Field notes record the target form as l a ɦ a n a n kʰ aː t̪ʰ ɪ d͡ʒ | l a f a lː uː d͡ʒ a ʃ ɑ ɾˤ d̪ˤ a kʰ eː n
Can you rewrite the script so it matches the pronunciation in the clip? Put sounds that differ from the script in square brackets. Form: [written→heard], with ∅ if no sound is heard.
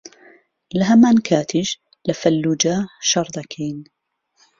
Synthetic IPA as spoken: l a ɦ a [n→m] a n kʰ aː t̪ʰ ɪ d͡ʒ | l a f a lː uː d͡ʒ a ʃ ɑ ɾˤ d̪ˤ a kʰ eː n